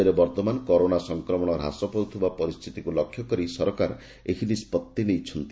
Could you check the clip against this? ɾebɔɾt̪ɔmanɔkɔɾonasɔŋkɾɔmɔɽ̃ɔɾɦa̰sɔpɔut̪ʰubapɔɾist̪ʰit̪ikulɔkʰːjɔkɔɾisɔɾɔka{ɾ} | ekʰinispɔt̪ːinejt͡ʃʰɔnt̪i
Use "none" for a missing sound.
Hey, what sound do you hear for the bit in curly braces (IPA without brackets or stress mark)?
ɾ